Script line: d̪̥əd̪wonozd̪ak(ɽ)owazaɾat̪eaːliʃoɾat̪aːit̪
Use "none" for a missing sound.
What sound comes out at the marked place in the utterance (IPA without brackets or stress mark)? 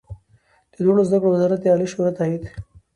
ɽ